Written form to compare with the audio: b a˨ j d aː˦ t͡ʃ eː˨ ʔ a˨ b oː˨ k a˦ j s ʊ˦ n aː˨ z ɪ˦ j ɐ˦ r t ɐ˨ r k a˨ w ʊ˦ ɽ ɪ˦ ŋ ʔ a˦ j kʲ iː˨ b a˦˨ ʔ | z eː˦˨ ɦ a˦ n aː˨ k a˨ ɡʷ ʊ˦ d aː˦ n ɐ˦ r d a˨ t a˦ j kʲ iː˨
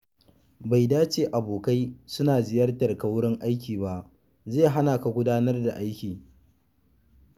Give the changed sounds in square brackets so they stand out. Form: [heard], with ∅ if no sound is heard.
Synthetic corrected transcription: b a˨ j d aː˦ t͡ʃ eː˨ ʔ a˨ b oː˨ k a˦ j s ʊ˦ n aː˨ z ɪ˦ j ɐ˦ r t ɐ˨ r k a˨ w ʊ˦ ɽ ɪ˦ ŋ ʔ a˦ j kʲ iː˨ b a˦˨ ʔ | z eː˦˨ ɦ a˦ n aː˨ k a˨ ɡʷ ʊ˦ d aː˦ n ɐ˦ r d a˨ [ʔ] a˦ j kʲ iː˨

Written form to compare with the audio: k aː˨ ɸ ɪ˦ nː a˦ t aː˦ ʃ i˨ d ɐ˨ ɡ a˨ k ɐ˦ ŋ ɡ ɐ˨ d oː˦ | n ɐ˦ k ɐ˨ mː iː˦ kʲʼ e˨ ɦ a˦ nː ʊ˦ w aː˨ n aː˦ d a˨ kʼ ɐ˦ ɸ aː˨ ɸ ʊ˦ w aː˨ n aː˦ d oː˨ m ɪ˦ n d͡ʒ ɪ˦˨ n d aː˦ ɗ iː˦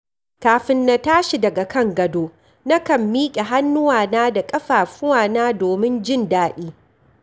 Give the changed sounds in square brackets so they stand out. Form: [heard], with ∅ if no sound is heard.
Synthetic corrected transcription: k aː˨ ɸ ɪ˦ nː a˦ t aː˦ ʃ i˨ d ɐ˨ ɡ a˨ k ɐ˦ ŋ ɡ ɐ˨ d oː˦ | n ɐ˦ k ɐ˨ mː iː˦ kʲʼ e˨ ɦ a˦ nː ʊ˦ w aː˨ n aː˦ d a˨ kʼ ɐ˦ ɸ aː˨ ɸ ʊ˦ w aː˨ n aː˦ d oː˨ m ɪ˦ n d͡ʒ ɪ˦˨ n d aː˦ ɗ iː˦

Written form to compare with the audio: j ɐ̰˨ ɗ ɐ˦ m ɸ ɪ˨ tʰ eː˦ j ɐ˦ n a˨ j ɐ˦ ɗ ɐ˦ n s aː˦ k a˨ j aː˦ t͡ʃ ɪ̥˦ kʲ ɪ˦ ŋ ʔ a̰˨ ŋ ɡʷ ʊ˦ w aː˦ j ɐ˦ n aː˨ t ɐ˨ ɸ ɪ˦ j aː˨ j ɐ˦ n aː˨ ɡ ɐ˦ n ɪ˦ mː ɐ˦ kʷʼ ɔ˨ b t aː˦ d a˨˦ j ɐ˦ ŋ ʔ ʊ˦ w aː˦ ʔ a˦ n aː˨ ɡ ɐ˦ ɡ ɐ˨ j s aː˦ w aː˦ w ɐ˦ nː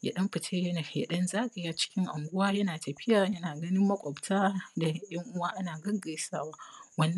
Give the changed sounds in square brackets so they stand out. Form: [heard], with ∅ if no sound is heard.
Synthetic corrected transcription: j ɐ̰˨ ɗ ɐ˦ m ɸ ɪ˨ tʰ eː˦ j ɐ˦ n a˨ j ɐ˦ ɗ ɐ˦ n [z] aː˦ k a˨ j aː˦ t͡ʃ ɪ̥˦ kʲ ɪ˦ ŋ ʔ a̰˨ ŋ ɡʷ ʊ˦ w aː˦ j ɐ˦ n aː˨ t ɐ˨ ɸ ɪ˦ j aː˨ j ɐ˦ n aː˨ ɡ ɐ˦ n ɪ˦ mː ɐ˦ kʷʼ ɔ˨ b t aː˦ d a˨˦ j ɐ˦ ŋ ʔ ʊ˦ w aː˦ ʔ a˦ n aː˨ ɡ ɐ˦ ɡ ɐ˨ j s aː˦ w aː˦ w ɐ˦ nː

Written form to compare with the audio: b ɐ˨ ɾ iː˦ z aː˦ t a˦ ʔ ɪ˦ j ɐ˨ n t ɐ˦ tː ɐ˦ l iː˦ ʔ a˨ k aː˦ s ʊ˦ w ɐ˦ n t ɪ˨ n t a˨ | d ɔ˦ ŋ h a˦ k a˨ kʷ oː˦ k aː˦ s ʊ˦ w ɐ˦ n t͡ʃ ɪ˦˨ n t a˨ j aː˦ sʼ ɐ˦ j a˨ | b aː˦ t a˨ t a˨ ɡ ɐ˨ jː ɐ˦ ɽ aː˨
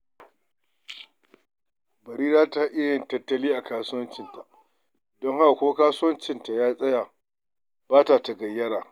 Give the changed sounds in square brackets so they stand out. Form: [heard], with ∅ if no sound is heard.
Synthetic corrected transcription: b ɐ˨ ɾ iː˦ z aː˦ t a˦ ʔ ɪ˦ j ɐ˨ n t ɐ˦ tː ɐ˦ l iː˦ ʔ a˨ k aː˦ s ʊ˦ w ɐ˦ n [t͡ʃ] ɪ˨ n t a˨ | d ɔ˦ ŋ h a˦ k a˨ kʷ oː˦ k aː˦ s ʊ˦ w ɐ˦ n t͡ʃ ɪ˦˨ n t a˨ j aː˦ sʼ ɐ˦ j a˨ | b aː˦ t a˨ t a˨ ɡ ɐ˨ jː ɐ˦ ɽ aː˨

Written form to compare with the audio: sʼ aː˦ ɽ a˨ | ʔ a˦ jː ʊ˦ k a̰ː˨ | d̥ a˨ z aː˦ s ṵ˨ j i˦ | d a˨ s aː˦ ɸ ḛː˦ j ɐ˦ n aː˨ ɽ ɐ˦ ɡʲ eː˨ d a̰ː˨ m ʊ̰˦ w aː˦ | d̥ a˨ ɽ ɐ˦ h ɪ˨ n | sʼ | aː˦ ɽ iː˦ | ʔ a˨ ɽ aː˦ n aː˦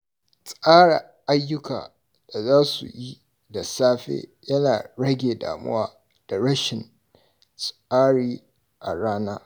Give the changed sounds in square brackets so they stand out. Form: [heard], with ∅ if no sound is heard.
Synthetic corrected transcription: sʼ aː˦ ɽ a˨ | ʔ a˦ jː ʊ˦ k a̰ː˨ | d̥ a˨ z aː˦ s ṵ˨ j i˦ | d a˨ s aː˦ ɸ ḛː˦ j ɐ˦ n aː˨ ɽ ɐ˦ ɡʲ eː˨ d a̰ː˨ m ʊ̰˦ w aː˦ | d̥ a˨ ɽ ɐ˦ [ʃ] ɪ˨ n | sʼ | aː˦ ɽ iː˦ | ʔ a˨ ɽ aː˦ n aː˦

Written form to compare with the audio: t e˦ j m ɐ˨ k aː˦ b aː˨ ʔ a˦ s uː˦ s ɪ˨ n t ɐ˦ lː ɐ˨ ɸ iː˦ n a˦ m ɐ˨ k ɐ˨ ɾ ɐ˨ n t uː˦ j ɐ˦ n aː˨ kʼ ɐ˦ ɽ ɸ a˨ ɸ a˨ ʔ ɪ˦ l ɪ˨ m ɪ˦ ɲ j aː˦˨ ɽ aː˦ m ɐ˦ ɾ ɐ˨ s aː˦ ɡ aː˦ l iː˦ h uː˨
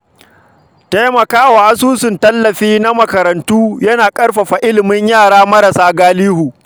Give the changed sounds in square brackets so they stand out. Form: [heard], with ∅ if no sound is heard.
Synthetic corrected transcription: t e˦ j m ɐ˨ k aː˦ [w] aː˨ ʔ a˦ s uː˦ s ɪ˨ n t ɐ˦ lː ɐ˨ ɸ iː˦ n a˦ m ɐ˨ k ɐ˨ ɾ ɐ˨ n t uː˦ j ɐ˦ n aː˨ kʼ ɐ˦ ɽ ɸ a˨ ɸ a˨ ʔ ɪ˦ l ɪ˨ m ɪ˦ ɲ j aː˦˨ ɽ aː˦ m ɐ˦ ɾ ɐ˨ s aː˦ ɡ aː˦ l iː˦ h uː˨

